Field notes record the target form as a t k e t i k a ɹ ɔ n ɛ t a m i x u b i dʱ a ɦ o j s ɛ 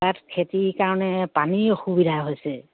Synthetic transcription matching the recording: a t kʰ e t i k a ɹ ɔ n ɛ p a n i x u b i dʱ a ɦ o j s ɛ

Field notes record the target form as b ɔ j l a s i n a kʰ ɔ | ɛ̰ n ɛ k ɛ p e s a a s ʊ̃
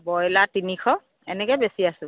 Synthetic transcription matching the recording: b ɔ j l a t i n i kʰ ɔ | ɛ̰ n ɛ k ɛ b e s i a s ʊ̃

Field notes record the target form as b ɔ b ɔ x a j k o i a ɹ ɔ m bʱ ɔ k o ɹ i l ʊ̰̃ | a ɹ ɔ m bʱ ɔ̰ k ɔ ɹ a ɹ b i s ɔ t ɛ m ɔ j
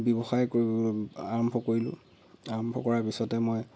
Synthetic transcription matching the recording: b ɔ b ɔ x a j k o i a ɹ ɔ m bʱ ɔ k o ɹ i l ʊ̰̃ | a ɹ ɔ m bʱ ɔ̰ k ɔ ɹ a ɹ p i s ɔ t ɛ m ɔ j

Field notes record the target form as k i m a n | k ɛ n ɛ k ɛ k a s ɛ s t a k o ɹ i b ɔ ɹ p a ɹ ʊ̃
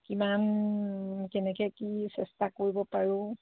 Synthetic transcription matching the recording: k i m a n | k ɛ n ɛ k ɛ k i s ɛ s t a k o ɹ i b ɔ p a ɹ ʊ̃

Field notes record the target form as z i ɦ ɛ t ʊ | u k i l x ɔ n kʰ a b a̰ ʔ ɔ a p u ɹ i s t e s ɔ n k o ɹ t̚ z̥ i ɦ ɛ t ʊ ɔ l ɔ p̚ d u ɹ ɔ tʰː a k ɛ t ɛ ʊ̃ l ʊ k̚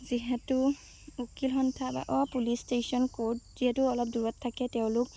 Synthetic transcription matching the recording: z i ɦ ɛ t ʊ | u k i l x ɔ n tʰ a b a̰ ʔ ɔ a p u l i s t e s ɔ n k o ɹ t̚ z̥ i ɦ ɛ t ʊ ɔ l ɔ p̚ d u ɹ ɔ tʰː a k ɛ t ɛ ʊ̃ l ʊ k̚

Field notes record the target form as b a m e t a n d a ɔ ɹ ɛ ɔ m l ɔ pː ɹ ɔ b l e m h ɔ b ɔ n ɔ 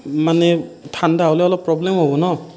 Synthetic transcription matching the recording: m a n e tʰ a n d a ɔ l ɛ ɔ l ɔ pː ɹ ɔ b l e m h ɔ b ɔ n ɔ

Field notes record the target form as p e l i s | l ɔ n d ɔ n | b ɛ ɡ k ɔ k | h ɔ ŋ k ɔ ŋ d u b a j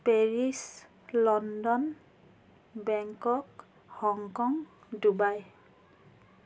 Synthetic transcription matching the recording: p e ɹ i s | l ɔ n d ɔ n | b ɛ ŋ k ɔ k | h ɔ ŋ k ɔ ŋ d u b a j

